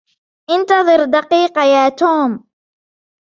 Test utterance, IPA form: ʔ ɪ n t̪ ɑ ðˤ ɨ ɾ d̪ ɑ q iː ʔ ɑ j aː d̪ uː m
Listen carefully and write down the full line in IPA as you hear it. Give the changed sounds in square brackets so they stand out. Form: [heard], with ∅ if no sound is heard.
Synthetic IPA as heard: ʔ ɪ n t̪ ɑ ðˤ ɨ ɾ d̪ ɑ q iː [q] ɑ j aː [t̪] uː m